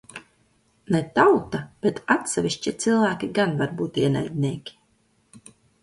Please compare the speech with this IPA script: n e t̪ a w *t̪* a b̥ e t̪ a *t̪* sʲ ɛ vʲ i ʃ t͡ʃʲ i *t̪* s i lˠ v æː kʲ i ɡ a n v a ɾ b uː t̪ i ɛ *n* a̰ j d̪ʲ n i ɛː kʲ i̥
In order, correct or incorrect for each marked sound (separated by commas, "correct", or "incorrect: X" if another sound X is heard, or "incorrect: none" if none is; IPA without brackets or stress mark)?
correct, correct, correct, correct